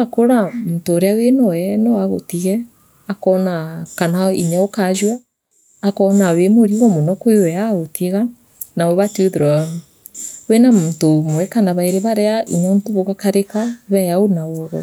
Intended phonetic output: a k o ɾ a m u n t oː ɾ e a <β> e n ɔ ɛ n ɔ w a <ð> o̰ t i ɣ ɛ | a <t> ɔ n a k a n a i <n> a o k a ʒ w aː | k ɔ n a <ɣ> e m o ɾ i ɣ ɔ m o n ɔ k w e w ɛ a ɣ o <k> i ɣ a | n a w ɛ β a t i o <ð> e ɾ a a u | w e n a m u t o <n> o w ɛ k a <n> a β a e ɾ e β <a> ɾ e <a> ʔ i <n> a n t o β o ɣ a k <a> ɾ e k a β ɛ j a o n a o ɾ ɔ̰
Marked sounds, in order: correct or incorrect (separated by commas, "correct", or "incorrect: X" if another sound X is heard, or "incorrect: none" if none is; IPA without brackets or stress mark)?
incorrect: w, incorrect: ɣ, incorrect: k, incorrect: ɲ, incorrect: w, incorrect: t, correct, incorrect: m, correct, correct, correct, incorrect: ɲ, correct